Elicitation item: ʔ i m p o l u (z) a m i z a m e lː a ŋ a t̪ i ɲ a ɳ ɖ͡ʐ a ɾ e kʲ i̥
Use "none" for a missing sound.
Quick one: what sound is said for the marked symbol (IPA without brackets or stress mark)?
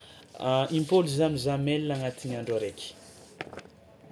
z